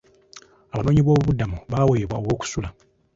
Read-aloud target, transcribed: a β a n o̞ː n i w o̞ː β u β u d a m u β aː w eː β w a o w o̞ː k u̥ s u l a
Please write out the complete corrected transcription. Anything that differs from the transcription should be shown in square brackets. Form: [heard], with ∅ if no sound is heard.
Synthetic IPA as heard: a β a n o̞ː [ɲ] i [β] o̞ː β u β u d a m u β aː w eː β w a o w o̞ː k u̥ s u l a